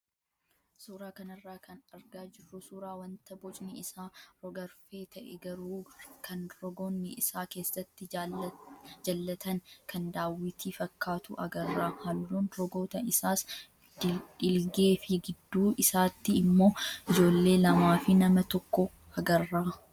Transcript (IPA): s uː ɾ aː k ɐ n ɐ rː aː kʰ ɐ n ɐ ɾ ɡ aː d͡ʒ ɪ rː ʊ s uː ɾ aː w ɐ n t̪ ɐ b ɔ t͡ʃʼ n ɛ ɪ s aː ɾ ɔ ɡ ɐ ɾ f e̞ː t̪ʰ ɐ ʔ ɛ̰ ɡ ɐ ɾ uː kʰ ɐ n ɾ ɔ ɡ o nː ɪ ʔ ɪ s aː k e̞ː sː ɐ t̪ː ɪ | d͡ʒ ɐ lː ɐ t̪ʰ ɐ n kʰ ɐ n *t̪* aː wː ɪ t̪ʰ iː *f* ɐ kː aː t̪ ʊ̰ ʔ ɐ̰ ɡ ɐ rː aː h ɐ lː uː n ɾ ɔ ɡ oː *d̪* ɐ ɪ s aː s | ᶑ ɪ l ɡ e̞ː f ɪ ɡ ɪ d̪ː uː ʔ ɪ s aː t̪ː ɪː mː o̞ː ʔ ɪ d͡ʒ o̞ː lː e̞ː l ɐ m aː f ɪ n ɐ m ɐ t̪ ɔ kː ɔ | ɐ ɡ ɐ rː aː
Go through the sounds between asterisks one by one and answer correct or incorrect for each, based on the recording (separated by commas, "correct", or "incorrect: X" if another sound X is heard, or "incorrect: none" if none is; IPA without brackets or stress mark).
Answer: incorrect: d̪, correct, incorrect: t̪